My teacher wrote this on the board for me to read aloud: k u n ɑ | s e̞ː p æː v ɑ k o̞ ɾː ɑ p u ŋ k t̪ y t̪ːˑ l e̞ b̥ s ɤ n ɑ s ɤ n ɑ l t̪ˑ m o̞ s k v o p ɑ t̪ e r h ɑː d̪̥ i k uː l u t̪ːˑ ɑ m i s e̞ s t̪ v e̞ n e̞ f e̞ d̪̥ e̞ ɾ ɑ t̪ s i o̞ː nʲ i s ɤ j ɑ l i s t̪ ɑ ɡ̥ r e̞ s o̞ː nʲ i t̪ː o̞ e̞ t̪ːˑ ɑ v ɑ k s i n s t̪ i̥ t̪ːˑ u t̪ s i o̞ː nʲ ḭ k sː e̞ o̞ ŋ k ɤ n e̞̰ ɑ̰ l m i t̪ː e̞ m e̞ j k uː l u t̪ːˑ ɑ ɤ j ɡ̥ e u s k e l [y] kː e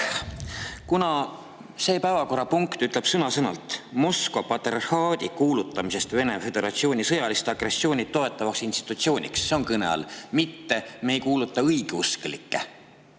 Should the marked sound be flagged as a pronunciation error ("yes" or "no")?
yes